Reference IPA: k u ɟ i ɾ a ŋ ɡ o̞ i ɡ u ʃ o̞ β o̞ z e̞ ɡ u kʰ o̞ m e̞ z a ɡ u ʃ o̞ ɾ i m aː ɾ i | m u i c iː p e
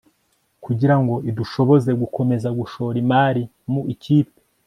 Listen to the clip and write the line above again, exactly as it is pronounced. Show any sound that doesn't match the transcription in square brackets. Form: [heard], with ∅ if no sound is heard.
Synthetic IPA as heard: k u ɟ i ɾ a ŋ ɡ o̞ i [d] u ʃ o̞ β o̞ z e̞ ɡ u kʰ o̞ m e̞ z a ɡ u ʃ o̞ ɾ i m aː ɾ i | m u i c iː p e